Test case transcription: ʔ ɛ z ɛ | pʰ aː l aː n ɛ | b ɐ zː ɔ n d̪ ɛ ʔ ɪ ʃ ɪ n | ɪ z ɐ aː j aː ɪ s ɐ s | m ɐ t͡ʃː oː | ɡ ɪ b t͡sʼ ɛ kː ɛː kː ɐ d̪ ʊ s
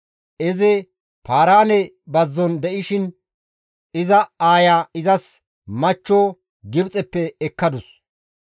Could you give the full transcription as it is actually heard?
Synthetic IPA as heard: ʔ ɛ z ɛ | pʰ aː ɾ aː n ɛ | b ɐ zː ɔ n d̪ ɛ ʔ ɪ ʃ ɪ n | ɪ z ɐ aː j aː ɪ z ɐ s | m ɐ t͡ʃː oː | ɡ ɪ b t͡sʼ ɛ pː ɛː kː ɐ d̪ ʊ s